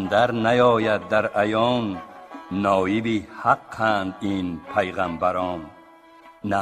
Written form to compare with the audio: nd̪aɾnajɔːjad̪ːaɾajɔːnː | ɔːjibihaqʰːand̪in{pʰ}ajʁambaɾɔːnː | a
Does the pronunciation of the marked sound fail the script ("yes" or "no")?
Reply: no